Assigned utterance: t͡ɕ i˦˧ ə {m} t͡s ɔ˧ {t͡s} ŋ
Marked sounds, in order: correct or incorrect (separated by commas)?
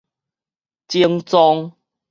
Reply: incorrect, incorrect